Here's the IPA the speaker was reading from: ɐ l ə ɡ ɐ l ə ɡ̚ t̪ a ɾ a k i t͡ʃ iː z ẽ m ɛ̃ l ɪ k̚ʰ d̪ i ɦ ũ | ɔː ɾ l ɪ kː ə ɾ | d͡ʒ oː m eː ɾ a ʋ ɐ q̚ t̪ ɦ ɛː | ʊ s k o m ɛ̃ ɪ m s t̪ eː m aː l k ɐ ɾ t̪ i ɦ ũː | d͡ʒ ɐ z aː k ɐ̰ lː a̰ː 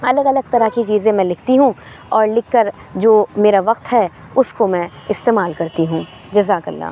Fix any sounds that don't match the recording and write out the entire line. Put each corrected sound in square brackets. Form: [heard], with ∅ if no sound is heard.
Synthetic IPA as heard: ɐ l ə ɡ ɐ l ə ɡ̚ t̪ [ɐ] ɾ a k i t͡ʃ iː z ẽ m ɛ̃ l ɪ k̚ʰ [t̪] i ɦ ũ | ɔː ɾ l ɪ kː ə ɾ | d͡ʒ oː m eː ɾ a ʋ ɐ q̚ t̪ ɦ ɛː | ʊ s k o m ɛ̃ ɪ [∅] s t̪ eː m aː l k ɐ ɾ t̪ i ɦ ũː | d͡ʒ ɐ z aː k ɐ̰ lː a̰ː